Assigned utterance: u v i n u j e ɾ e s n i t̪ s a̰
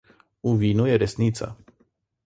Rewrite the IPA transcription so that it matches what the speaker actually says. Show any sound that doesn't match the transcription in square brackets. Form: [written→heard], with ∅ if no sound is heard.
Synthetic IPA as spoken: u v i n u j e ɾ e s n i t̪ s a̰